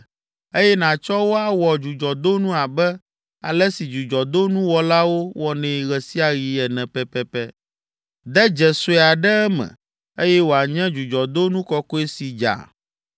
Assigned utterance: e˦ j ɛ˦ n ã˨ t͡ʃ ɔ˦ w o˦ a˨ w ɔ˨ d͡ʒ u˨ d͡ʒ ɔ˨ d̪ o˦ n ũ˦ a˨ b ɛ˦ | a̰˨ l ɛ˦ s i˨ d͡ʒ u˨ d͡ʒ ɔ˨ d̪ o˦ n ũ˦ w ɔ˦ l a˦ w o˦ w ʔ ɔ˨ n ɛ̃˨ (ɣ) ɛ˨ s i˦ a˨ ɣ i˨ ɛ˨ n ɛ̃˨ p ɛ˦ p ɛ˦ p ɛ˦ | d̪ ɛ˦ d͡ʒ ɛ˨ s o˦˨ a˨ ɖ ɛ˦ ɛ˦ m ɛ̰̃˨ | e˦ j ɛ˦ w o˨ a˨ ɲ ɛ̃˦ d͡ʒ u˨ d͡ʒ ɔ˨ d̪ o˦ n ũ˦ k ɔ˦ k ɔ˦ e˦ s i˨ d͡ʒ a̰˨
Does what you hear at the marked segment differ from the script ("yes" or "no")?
no